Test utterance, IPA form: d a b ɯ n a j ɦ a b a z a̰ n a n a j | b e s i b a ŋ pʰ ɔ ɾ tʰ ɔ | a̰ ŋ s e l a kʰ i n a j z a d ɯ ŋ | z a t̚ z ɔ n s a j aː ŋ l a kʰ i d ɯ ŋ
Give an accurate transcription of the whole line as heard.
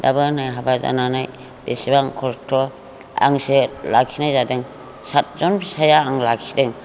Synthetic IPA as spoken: d a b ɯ n a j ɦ a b a z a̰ n a n a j | b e s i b a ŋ kʰ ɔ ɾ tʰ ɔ | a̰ ŋ s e l a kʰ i n a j z a d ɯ ŋ | s a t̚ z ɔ n s a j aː ŋ l a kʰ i d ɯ ŋ